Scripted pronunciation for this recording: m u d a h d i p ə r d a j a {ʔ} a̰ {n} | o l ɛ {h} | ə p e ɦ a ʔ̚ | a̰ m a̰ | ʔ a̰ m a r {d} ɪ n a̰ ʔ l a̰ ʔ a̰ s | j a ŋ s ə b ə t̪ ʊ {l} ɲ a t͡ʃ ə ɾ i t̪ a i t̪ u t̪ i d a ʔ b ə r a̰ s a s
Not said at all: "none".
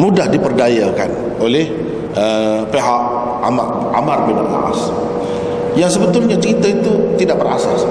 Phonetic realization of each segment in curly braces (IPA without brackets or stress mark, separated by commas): k, n, h, b, l